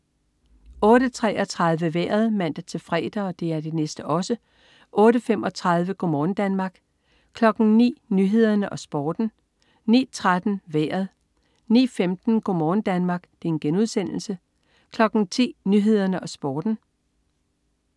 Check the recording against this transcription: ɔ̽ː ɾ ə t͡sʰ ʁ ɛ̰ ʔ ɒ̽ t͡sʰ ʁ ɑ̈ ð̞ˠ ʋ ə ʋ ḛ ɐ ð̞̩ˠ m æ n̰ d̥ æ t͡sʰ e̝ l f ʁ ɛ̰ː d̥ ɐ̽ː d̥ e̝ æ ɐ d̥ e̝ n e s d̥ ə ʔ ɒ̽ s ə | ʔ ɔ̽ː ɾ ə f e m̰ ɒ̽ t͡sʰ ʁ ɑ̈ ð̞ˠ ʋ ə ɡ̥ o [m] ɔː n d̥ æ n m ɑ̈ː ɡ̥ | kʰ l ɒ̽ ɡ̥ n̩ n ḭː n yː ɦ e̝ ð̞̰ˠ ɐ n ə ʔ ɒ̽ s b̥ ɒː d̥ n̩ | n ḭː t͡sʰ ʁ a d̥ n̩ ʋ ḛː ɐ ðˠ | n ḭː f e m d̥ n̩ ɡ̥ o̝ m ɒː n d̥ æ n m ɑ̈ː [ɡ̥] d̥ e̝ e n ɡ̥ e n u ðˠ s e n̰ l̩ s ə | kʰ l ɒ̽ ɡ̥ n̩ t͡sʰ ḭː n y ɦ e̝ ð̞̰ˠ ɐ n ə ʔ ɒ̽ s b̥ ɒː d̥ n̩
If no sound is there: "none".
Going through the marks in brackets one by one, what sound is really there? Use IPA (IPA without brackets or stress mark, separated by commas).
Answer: m, ɡ̥